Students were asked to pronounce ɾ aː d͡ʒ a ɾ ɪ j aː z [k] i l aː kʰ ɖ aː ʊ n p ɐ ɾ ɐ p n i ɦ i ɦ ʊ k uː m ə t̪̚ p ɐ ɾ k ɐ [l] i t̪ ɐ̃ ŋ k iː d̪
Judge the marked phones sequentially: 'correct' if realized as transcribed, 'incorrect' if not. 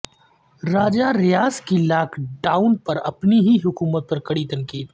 correct, incorrect: ɽ

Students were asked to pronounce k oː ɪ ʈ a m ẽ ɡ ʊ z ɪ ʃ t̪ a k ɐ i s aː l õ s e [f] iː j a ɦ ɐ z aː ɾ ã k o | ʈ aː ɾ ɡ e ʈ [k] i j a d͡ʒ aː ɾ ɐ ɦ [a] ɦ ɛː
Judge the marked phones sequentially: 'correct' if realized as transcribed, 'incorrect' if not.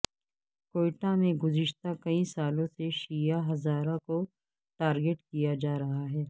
incorrect: ʃ, correct, correct

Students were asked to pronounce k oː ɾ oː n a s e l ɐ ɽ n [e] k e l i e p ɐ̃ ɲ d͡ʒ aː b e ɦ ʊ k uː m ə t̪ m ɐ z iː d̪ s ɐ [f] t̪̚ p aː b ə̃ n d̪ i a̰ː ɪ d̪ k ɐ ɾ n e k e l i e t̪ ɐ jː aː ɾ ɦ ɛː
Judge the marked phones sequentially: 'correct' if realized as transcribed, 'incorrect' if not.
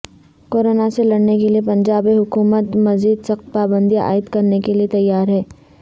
correct, incorrect: x

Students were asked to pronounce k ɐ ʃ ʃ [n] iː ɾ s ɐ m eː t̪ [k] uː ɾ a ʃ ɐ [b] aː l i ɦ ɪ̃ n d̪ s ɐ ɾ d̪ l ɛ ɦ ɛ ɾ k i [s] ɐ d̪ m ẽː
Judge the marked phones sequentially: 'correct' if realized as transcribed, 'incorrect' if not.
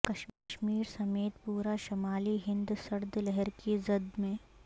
incorrect: m, incorrect: p, incorrect: m, incorrect: z

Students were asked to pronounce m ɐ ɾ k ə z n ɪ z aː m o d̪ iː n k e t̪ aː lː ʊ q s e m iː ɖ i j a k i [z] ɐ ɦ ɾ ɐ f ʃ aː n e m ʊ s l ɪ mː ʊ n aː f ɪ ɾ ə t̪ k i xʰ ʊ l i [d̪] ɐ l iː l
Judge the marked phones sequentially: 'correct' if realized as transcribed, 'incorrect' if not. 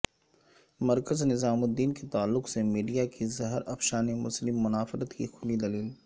correct, correct

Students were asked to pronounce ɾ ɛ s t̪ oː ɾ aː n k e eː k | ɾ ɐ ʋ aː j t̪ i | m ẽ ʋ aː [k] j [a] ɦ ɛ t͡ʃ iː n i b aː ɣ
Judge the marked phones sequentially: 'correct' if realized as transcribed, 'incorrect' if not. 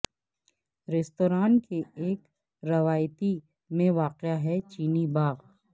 incorrect: q, correct

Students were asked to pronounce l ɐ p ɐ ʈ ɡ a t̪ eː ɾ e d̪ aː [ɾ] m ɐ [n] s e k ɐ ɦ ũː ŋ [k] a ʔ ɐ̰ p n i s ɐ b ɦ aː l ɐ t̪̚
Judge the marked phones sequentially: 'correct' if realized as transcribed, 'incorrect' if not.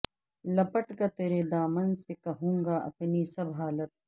incorrect: none, correct, incorrect: ɡ

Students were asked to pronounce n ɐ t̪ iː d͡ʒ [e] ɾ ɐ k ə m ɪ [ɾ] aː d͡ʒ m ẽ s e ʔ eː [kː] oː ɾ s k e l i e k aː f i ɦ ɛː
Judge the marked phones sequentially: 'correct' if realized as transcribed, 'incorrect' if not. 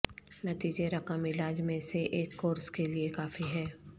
correct, incorrect: l, correct

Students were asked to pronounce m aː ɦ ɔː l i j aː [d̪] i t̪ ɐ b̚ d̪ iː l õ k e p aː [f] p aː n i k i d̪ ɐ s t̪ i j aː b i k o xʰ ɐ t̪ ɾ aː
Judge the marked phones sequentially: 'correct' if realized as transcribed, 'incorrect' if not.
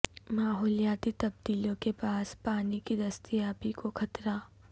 incorrect: t̪, incorrect: s

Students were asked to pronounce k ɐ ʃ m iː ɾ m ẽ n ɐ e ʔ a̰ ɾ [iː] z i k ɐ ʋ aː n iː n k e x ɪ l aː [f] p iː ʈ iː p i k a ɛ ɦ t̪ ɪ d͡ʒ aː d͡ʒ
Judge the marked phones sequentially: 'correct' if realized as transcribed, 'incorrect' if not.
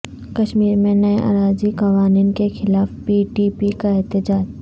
incorrect: aː, correct

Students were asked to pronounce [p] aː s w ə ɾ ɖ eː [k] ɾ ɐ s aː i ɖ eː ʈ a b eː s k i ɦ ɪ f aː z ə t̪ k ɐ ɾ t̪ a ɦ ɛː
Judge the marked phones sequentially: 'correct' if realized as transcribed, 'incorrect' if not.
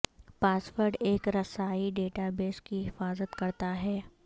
correct, correct

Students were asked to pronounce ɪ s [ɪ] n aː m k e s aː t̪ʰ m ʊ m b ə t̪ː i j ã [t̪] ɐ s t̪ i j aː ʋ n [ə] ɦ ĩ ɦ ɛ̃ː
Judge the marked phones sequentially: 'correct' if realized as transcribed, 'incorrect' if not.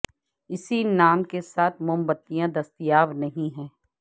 incorrect: i, incorrect: d̪, incorrect: ɐ

